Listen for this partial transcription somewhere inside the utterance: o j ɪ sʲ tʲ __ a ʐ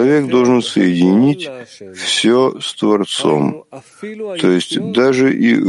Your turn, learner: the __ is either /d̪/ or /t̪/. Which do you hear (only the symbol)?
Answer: d̪